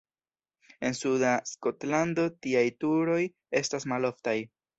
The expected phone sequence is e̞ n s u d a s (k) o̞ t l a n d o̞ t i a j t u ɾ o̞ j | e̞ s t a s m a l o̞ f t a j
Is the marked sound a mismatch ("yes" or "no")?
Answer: no